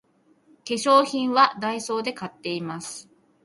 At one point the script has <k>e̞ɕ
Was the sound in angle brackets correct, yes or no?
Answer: yes